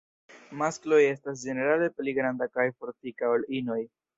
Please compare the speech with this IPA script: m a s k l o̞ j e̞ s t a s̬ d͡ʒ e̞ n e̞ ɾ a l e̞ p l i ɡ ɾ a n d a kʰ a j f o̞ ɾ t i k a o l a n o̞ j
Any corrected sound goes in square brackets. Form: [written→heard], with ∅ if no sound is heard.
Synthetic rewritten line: m a s k l o̞ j e̞ s t a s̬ d͡ʒ e̞ n e̞ ɾ a l e̞ p l i ɡ ɾ a n d a [kʰ→k] a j f o̞ ɾ t i k a o l [a→i] n o̞ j